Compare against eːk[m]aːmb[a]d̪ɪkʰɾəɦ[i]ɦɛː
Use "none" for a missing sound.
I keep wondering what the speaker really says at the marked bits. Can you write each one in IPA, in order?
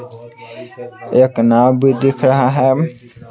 n, i, a

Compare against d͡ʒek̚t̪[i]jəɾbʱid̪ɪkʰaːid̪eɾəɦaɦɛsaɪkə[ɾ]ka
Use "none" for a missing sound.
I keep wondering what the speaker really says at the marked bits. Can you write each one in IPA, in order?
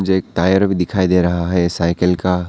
a, l

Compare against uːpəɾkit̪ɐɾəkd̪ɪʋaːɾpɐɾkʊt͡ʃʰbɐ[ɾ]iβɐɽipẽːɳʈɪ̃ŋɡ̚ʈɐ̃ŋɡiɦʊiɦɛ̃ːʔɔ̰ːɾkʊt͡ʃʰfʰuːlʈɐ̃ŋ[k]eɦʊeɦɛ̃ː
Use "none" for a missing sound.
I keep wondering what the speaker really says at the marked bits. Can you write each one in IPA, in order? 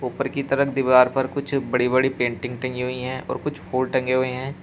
ɽ, ɡ

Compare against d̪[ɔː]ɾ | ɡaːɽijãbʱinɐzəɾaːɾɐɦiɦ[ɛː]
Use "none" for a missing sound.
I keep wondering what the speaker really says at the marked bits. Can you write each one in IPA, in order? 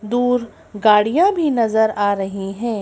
uː, ɛ̃ː

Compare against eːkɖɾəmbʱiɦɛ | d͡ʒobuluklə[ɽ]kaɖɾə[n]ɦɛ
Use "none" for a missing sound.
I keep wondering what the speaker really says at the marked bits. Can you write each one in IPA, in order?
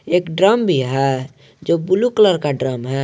ɾ, m

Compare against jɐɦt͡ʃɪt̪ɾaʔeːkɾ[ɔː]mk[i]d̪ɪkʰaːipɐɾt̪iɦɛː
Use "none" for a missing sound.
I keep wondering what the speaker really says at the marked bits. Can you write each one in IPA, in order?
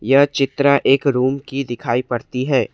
uː, i

